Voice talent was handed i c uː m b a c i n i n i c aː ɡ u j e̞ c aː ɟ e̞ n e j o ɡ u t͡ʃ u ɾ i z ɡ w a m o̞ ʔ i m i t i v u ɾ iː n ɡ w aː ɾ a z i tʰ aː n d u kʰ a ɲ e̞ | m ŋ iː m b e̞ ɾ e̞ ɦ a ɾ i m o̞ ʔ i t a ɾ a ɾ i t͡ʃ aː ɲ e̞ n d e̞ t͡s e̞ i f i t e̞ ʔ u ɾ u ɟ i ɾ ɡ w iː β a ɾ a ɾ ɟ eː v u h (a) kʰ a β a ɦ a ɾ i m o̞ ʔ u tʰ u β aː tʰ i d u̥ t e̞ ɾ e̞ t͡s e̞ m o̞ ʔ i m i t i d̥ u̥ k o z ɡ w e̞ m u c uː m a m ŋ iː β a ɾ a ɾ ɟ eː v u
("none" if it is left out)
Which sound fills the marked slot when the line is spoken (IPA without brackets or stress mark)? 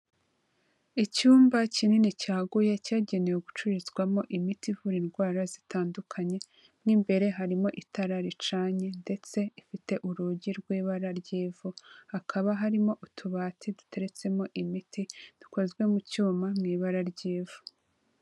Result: a